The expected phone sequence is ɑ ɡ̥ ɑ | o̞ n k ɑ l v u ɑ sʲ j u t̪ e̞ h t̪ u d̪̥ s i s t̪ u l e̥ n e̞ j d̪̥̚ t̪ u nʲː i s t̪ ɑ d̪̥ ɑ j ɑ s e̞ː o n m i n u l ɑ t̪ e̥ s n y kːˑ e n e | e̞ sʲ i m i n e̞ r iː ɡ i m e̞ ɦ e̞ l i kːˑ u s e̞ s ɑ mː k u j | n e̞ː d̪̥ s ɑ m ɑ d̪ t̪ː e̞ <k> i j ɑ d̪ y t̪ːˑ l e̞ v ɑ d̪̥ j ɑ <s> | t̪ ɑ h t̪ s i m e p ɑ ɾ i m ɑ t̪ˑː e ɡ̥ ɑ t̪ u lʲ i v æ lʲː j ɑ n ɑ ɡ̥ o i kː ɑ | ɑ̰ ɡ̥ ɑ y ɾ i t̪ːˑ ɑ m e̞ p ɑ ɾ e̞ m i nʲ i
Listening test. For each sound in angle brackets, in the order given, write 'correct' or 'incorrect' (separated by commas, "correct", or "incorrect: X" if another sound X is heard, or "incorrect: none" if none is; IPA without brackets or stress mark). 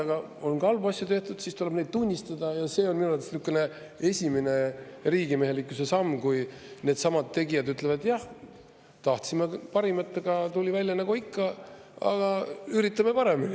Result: incorrect: ɡ, incorrect: h